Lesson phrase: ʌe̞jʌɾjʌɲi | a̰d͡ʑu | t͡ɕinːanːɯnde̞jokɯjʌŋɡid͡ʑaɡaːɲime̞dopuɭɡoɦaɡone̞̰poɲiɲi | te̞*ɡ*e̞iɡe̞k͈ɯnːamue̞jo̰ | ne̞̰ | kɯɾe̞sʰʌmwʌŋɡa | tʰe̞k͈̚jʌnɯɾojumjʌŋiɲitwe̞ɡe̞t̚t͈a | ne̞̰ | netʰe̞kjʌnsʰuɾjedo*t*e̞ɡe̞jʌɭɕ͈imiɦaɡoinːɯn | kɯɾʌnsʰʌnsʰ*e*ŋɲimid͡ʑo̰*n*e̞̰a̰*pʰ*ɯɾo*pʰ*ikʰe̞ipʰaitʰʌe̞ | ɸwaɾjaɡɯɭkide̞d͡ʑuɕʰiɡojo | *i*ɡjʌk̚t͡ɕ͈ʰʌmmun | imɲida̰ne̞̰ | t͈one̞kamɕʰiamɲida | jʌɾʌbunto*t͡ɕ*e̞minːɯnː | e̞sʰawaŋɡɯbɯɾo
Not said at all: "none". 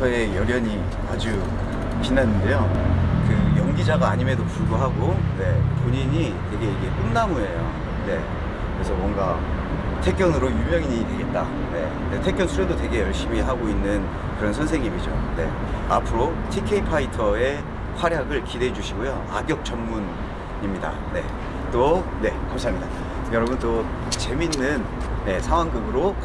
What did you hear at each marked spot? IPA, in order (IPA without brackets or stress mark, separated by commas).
ɡ, t, e, n, pʰ, tʰ, a, t͡ɕ